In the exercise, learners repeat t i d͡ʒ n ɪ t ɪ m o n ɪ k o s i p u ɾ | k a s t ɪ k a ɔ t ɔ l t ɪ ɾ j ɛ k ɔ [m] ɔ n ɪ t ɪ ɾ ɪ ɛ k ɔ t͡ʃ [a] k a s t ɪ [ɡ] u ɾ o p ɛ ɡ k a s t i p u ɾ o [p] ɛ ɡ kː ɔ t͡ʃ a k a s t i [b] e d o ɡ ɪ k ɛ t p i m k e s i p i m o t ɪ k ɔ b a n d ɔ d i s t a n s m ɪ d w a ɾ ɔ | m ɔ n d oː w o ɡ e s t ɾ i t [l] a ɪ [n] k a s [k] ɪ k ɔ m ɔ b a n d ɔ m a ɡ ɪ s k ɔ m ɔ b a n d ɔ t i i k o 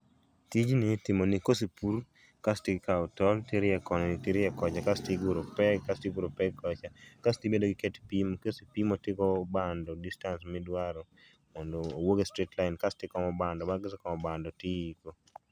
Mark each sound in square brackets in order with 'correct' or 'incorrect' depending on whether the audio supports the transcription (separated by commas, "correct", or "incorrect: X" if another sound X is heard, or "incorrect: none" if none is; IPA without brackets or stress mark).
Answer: incorrect: n, correct, correct, correct, correct, correct, correct, incorrect: t